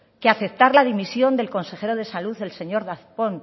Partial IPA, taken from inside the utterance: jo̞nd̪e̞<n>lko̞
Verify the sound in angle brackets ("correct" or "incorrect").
incorrect